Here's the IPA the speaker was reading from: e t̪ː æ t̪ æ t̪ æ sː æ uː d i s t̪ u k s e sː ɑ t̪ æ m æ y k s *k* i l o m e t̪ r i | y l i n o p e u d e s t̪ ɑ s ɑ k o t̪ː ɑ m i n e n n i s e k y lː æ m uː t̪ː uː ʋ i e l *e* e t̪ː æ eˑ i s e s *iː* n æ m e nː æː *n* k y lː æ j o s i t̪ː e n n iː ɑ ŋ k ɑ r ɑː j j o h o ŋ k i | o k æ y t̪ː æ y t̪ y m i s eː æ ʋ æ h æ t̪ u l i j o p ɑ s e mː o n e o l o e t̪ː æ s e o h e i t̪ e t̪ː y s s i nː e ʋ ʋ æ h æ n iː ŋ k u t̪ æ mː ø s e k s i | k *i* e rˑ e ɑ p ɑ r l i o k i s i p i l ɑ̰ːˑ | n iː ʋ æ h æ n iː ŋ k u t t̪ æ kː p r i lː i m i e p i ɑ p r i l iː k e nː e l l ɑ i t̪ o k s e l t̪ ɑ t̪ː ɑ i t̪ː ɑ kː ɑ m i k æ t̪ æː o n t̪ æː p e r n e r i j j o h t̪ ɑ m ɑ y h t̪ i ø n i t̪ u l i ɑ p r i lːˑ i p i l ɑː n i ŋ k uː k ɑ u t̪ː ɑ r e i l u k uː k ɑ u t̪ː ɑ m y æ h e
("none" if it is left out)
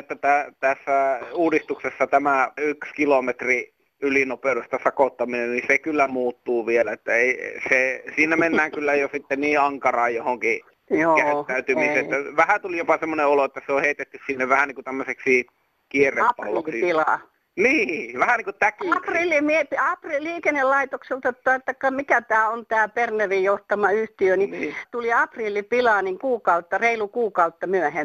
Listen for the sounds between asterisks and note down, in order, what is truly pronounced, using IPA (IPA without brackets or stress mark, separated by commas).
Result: k, æ, iː, ŋ, i